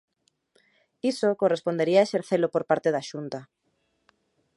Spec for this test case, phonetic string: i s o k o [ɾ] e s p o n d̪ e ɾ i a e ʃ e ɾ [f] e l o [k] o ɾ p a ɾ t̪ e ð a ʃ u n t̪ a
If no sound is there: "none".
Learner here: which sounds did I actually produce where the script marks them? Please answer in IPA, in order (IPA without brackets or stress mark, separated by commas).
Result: r, θ, p